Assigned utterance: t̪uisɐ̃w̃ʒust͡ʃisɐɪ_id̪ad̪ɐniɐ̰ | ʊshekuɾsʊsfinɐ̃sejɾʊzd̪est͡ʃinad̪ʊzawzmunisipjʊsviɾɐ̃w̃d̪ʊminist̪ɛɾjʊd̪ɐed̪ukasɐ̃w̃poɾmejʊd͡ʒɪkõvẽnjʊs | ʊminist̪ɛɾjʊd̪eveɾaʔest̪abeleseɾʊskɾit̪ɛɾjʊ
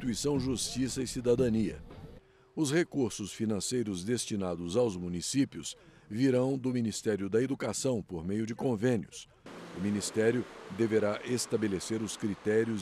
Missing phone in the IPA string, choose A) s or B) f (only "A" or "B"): A